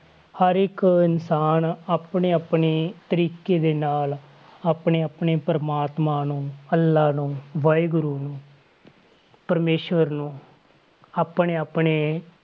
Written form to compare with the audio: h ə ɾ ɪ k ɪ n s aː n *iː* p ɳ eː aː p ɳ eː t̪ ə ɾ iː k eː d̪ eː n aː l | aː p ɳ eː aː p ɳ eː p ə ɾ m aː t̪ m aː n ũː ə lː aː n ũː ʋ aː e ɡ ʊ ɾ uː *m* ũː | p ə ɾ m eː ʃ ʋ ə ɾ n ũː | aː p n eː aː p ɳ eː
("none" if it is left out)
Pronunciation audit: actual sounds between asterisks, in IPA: aː, n

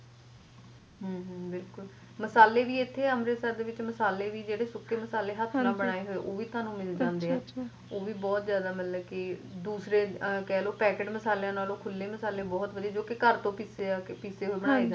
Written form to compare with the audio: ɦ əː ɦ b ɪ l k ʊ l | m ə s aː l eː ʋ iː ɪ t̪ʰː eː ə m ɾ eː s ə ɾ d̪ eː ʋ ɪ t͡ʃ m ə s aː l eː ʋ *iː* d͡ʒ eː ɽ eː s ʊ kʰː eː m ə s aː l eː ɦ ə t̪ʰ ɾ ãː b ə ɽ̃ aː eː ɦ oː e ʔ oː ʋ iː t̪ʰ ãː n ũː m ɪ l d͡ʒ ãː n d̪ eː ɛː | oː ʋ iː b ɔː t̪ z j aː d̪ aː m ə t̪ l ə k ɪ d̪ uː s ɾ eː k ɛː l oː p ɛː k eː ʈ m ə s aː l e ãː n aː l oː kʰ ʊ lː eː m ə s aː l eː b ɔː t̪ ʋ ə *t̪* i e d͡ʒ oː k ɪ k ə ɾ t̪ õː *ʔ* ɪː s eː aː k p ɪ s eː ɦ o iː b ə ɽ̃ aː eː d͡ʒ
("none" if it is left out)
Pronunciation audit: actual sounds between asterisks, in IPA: iː, d̪, p

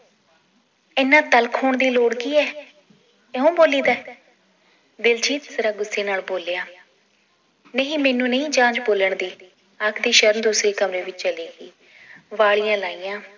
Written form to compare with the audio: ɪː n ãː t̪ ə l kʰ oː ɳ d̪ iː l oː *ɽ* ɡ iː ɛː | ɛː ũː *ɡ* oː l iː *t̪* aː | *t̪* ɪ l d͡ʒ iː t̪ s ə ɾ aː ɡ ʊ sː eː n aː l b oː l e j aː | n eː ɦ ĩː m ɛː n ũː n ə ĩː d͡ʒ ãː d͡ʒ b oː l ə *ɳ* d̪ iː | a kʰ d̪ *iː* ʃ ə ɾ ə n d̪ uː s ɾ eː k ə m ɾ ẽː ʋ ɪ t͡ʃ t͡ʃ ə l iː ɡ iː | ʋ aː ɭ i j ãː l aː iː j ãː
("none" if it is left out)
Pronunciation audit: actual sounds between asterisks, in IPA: ɽ, b, d̪, d̪, ɳ, iː

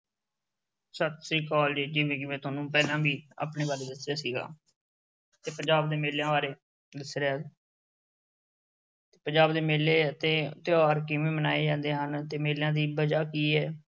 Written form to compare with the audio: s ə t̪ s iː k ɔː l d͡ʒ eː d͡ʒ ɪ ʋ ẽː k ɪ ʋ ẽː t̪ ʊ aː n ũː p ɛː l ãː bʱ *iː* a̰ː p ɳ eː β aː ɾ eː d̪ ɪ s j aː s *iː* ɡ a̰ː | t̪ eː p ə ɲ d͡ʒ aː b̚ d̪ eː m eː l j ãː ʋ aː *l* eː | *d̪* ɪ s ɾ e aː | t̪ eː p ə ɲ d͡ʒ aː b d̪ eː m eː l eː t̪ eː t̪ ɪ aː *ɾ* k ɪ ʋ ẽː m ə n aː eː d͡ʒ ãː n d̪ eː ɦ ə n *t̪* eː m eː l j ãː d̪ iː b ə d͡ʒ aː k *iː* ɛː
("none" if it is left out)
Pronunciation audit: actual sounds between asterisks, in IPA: iː, iː, ɾ, d̪, ɾ, t̪, iː

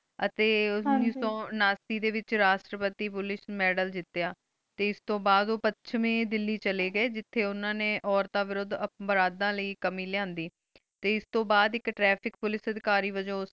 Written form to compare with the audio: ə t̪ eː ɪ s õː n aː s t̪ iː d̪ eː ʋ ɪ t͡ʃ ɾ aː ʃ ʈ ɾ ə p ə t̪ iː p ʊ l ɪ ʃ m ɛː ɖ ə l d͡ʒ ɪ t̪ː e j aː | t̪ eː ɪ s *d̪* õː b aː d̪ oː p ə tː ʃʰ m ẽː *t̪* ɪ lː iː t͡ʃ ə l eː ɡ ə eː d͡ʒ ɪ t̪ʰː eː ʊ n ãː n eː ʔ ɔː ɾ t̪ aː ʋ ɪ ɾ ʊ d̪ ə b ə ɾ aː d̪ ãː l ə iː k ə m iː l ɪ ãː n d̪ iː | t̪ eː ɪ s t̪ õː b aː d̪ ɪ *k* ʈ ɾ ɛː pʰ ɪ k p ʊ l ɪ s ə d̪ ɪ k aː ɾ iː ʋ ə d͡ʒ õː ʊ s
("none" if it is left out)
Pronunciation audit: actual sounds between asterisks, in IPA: t̪, d̪, k

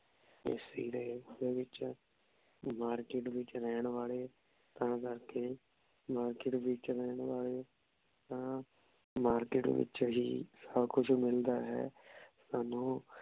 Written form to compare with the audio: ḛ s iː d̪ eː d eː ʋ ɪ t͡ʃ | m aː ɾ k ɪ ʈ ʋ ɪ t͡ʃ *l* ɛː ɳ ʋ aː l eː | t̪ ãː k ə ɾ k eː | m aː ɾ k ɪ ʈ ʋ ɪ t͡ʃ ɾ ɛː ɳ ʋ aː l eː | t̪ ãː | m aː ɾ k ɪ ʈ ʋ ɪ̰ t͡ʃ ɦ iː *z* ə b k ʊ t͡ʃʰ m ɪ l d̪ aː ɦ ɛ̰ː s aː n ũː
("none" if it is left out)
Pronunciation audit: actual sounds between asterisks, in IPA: ɾ, s

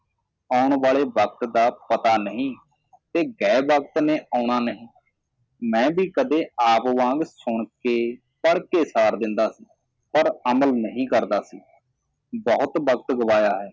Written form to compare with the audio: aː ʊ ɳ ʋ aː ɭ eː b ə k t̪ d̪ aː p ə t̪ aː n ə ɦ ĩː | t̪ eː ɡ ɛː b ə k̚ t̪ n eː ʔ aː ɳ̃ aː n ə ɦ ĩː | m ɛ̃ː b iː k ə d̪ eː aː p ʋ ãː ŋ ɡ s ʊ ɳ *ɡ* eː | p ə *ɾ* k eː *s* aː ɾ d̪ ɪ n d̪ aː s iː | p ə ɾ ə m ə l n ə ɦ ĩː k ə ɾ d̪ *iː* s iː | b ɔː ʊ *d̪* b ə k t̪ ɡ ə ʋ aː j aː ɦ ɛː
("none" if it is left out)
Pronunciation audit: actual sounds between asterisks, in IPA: k, ɽ, s, aː, t̪

